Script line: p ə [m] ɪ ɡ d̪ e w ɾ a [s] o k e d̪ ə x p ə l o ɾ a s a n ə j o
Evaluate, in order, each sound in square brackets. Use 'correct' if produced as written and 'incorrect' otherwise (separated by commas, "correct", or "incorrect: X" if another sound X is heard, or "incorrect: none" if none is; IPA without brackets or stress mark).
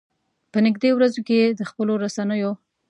incorrect: n, incorrect: z